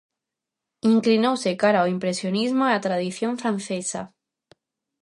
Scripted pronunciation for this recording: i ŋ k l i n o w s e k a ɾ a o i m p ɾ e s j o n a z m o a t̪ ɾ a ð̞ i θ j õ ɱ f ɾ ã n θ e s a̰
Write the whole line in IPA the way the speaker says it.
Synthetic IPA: i ŋ k l i n o w s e k a ɾ a o i m p ɾ e s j o n i z m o a t̪ ɾ a ð̞ i θ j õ ɱ f ɾ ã n θ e s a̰